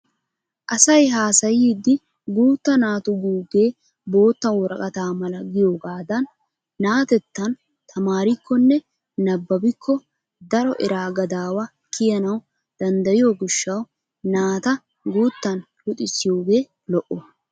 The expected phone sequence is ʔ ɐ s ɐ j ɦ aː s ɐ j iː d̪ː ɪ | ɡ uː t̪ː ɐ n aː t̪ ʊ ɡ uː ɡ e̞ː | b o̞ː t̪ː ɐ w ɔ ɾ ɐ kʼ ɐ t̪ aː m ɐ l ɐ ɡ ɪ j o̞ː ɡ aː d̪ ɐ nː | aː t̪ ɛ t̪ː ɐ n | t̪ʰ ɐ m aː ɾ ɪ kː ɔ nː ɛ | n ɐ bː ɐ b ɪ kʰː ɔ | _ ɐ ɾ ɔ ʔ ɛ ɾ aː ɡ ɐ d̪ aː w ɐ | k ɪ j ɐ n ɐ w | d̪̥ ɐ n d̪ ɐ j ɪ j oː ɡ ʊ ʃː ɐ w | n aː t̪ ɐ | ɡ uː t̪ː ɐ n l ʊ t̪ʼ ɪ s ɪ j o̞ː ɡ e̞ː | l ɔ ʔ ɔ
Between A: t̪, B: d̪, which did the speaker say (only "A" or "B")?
B